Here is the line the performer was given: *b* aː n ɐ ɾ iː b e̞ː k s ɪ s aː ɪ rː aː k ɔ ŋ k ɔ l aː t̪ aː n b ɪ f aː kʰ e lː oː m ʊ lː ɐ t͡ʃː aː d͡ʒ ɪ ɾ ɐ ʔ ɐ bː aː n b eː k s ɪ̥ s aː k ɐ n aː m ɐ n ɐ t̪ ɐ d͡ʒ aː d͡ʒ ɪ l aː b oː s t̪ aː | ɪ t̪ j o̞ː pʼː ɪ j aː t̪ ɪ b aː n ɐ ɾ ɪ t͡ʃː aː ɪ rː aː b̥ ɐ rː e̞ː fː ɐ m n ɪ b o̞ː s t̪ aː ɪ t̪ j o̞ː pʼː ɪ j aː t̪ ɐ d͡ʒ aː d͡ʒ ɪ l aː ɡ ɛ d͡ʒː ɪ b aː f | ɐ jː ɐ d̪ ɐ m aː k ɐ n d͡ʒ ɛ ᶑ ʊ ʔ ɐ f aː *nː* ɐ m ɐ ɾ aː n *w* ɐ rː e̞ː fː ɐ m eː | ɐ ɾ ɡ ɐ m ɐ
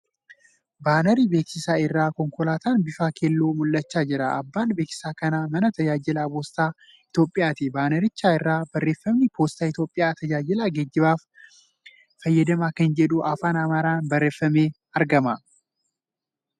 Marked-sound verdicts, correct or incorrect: correct, incorrect: n, incorrect: b

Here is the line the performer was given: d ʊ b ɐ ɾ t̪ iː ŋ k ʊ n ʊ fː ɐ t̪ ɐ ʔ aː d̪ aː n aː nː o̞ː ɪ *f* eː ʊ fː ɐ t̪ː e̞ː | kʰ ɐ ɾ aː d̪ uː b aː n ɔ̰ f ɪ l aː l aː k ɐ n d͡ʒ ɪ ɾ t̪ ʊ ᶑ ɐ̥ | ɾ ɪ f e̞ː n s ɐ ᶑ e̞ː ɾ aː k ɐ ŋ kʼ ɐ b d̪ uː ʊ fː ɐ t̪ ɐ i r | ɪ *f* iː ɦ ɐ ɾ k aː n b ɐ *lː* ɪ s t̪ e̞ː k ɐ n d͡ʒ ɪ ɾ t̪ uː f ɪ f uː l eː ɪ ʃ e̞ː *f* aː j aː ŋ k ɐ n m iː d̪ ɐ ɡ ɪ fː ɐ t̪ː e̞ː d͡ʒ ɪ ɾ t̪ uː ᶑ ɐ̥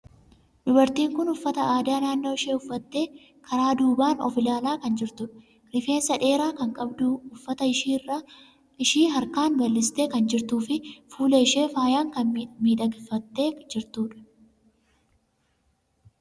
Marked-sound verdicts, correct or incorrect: incorrect: ʃ, incorrect: ʃ, correct, correct

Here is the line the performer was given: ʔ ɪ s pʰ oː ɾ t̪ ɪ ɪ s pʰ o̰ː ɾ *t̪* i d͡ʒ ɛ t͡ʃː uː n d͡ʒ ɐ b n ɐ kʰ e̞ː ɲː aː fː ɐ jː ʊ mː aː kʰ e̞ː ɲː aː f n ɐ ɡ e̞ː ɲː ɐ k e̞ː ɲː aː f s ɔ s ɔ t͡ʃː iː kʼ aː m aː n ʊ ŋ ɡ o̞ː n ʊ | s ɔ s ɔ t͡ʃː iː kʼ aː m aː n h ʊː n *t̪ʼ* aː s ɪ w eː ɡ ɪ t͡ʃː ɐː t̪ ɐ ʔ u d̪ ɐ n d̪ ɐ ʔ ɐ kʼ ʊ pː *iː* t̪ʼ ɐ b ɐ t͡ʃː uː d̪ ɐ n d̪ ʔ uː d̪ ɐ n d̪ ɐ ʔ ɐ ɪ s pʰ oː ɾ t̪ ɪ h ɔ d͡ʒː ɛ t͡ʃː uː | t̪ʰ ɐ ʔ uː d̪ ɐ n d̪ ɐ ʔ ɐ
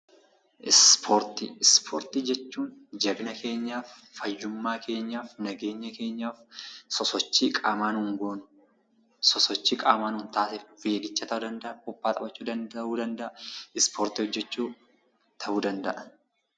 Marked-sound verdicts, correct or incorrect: correct, incorrect: t̪, incorrect: aː

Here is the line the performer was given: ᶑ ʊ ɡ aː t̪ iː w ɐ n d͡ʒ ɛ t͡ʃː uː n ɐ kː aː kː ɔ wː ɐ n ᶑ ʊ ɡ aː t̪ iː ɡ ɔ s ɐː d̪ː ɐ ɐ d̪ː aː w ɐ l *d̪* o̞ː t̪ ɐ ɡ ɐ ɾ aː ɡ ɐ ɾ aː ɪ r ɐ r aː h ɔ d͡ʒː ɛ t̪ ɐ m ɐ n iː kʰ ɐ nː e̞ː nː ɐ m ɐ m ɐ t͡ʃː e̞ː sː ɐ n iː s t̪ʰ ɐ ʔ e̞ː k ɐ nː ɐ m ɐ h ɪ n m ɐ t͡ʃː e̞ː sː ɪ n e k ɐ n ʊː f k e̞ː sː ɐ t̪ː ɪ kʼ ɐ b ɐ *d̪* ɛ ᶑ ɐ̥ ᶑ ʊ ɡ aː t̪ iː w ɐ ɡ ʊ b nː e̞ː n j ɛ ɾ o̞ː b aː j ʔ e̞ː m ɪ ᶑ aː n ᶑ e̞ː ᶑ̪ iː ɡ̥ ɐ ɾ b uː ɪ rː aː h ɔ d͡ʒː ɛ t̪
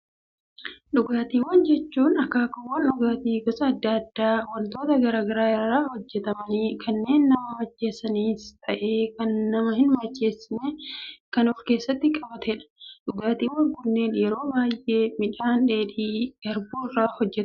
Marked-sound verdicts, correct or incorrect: incorrect: t̪, incorrect: t̪

